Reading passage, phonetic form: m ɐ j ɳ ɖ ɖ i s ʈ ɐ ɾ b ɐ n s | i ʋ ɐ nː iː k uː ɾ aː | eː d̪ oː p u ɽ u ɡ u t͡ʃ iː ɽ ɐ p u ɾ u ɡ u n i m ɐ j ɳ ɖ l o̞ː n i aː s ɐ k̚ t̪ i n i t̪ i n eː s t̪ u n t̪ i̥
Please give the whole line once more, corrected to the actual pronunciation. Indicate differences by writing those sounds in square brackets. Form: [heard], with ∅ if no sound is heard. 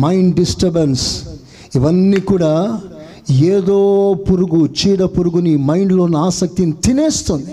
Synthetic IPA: m ɐ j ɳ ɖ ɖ i s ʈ ɐ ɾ b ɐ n s | i ʋ ɐ nː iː k uː [ɽ] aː | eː d̪ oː p u [ɾ] u ɡ u t͡ʃ iː ɽ ɐ p u ɾ u ɡ u n i m ɐ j ɳ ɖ l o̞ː n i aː s ɐ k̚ t̪ i n i t̪ i n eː s t̪ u n [d̪] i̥